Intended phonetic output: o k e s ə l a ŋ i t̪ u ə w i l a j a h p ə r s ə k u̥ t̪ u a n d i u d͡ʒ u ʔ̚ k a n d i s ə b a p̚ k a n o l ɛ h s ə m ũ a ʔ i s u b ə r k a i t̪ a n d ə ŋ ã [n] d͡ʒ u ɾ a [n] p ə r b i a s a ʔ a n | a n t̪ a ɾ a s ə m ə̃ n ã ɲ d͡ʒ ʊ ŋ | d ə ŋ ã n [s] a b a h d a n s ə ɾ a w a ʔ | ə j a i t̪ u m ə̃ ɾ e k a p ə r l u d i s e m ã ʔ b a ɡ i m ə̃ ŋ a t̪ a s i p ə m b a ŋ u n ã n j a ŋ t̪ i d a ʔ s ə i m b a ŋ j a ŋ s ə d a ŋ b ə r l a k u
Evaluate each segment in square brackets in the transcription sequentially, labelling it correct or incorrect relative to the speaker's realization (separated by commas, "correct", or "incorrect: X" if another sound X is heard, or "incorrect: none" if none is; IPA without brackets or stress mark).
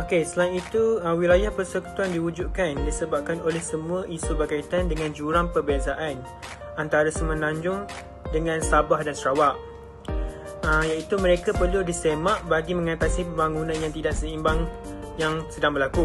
correct, incorrect: ŋ, correct